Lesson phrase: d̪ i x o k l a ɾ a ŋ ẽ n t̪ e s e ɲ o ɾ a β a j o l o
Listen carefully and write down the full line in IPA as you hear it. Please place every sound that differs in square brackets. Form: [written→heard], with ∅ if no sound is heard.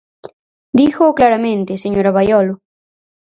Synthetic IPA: d̪ i x o k l a ɾ a [ŋ→m] ẽ n t̪ e s e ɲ o ɾ a β a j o l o